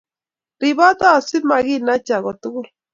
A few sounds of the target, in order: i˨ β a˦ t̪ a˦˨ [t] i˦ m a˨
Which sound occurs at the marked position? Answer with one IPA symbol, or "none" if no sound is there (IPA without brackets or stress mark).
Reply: s